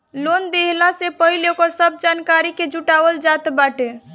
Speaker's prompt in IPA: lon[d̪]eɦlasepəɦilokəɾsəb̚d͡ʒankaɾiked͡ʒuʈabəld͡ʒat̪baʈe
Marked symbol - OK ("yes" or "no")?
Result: yes